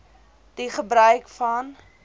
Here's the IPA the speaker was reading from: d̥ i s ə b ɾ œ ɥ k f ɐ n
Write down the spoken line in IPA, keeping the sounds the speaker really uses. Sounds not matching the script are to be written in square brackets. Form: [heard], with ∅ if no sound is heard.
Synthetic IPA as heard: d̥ i [χ] ə b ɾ œ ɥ k f ɐ n

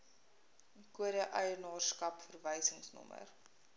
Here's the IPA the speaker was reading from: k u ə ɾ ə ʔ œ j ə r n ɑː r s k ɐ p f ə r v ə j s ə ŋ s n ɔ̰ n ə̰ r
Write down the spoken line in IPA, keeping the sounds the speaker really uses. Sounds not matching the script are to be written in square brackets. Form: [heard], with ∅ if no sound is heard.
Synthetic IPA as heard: k u ə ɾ ə ʔ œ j ə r n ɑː r s k ɐ p f ə r v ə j s ə ŋ s n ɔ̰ [m] ə̰ r

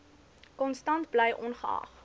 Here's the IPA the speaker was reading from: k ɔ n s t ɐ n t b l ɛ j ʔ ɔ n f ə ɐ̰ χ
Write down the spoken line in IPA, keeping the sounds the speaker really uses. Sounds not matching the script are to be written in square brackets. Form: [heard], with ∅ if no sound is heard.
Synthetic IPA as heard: k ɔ n s t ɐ n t b l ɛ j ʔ ɔ n [χ] ə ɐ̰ χ

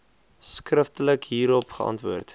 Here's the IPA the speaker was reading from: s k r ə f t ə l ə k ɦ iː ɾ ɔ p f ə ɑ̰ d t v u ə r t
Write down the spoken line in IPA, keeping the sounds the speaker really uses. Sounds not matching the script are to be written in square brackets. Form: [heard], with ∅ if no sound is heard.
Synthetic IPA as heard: s k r ə f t ə l ə k ɦ iː ɾ ɔ p [χ] ə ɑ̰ [n] t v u ə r t

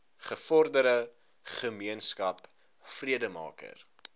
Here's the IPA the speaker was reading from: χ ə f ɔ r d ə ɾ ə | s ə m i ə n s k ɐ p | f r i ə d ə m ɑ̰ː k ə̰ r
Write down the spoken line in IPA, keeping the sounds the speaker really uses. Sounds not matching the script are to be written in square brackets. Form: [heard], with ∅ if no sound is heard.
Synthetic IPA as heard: χ ə f ɔ r d ə ɾ ə | [χ] ə m i ə n s k ɐ p | f r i ə d ə m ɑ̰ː k ə̰ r

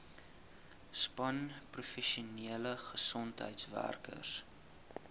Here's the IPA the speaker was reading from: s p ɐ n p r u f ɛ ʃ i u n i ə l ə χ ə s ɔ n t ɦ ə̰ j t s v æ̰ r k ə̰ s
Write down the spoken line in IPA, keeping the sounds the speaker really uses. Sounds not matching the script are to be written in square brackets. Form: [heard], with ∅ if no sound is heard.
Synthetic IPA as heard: s p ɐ n p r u f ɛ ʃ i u n i ə l ə χ ə s ɔ n t ɦ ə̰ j t s v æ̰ r k ə̰ s

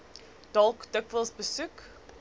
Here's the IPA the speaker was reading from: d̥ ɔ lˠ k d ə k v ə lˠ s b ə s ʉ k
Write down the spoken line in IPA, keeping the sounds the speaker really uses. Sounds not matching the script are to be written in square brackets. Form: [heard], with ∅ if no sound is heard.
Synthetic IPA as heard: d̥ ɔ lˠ k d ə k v ə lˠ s b ə s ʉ k

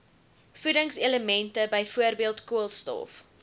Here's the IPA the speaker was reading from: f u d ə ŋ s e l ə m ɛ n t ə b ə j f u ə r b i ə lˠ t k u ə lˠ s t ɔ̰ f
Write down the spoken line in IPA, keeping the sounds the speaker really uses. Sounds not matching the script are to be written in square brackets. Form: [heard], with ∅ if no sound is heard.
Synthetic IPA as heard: f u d ə ŋ s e l ə m ɛ n t ə b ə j f u ə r b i ə lˠ t k u ə lˠ s t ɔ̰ f

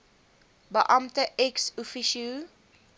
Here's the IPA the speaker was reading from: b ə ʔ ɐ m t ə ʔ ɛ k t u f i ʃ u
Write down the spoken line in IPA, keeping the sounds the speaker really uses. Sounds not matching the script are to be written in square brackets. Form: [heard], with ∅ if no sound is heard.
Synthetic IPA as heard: b ə ʔ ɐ m t ə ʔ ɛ k [s] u f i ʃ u

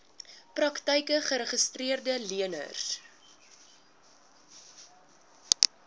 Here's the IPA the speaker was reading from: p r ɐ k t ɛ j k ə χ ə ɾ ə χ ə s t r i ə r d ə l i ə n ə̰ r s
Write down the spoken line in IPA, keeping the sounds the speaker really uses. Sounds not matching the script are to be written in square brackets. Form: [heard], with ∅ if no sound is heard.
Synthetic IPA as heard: p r ɐ k t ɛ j k ə χ ə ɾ ə χ ə s t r i ə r d ə l i ə n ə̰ r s

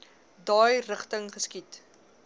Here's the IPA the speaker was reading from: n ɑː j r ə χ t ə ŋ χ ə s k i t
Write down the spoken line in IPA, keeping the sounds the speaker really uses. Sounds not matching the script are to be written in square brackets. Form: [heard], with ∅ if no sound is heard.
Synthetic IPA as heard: [d] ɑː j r ə χ t ə ŋ χ ə s k i t

